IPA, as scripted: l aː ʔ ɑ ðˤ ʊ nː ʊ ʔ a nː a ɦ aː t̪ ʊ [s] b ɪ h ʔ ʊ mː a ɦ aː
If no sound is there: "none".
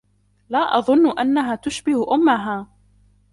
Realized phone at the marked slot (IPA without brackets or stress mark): ʃ